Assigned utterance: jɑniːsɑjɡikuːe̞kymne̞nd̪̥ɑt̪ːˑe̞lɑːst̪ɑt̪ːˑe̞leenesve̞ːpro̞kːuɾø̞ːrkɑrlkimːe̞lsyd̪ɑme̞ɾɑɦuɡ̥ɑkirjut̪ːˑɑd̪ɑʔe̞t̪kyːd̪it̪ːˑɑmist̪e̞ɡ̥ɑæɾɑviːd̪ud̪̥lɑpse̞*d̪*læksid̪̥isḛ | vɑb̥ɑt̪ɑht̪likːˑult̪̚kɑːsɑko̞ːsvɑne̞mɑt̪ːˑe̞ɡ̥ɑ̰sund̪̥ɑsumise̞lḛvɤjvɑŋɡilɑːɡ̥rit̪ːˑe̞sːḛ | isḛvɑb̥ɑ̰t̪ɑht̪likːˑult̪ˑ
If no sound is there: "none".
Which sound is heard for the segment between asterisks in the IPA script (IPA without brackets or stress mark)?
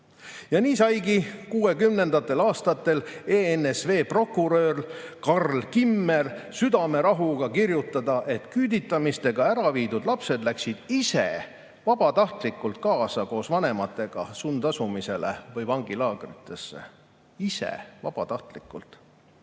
d̪